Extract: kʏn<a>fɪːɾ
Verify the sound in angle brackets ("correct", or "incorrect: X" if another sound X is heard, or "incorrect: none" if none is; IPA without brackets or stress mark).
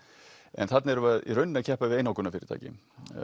correct